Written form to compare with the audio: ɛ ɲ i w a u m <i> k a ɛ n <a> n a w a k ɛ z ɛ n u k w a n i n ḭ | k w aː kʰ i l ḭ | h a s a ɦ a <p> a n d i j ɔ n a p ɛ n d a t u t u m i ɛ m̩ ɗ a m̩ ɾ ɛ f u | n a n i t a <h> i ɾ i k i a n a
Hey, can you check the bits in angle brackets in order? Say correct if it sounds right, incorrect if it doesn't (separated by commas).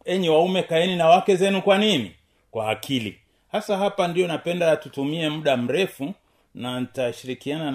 incorrect, incorrect, correct, incorrect